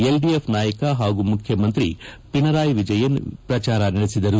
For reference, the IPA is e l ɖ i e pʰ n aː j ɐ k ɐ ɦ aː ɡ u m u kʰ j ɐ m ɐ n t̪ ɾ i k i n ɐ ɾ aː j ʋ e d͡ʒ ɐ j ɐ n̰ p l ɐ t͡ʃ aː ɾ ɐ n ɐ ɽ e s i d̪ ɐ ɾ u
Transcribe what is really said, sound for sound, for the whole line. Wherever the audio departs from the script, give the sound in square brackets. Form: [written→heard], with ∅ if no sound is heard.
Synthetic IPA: e l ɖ i e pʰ n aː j ɐ k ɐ ɦ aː ɡ u m u kʰ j ɐ m ɐ n t̪ ɾ i [k→p] i n ɐ ɾ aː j ʋ [e→i] d͡ʒ ɐ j ɐ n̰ p [l→ɾ] ɐ t͡ʃ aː ɾ ɐ n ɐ ɽ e s i d̪ ɐ ɾ u